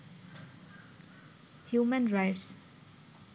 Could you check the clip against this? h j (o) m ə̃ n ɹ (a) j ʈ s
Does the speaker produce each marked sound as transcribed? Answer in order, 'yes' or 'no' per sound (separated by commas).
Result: no, yes